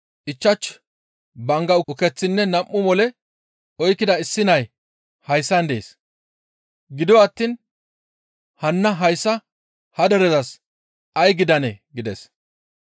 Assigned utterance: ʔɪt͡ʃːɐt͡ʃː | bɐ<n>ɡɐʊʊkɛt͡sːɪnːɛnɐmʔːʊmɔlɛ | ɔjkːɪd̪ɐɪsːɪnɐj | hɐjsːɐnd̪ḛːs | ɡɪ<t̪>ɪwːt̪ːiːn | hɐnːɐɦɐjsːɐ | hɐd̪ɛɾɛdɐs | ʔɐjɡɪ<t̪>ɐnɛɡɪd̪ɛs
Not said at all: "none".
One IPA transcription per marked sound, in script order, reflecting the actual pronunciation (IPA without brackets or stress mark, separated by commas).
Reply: ŋ, d̪, d̪